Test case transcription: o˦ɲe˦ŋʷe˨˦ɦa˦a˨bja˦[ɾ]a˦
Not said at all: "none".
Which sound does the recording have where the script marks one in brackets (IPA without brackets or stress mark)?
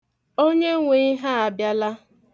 l